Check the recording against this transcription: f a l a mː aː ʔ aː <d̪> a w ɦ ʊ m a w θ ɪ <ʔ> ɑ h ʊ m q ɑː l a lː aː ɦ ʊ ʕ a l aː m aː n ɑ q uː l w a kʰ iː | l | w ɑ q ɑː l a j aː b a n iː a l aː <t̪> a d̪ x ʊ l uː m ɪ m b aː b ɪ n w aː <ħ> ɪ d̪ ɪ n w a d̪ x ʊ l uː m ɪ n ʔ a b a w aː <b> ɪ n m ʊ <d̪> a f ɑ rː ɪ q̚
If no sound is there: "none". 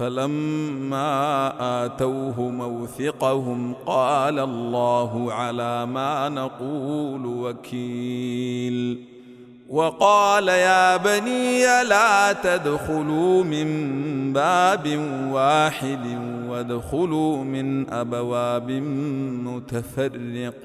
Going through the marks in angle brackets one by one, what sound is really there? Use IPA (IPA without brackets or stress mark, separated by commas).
t̪, q, t̪, ħ, b, t̪